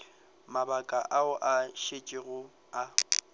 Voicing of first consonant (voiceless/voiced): voiced